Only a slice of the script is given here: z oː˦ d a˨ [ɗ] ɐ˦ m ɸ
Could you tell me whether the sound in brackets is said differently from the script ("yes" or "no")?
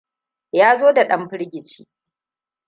no